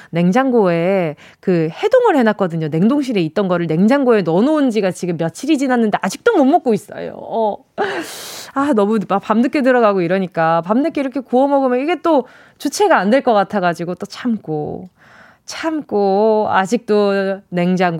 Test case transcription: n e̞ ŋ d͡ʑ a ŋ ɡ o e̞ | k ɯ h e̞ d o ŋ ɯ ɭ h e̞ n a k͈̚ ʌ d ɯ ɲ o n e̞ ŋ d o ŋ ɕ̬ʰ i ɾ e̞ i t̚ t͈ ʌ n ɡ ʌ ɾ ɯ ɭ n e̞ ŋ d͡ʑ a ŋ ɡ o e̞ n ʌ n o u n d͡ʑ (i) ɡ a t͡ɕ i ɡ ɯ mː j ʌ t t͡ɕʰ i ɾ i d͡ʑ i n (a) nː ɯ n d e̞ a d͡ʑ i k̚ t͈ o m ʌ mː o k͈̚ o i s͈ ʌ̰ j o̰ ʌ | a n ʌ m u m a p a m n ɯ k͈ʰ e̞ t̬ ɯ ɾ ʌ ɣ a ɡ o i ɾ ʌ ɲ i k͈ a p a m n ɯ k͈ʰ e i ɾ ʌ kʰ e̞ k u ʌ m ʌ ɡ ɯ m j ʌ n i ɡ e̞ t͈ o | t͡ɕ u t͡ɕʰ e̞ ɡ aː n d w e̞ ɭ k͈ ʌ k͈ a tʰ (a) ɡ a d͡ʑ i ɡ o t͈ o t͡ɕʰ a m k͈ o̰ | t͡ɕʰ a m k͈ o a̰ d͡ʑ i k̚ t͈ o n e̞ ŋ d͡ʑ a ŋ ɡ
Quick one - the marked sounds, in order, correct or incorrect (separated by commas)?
correct, correct, correct